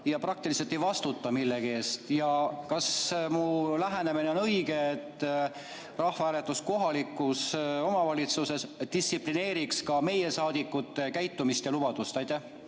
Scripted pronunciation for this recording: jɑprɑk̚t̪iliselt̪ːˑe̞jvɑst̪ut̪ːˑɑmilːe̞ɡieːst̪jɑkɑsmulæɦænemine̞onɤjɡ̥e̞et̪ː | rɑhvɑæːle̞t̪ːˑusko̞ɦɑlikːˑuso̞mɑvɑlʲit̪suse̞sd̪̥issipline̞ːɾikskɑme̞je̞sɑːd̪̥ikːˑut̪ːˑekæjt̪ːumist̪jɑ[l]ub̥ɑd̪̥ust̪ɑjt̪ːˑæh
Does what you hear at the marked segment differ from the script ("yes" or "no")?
no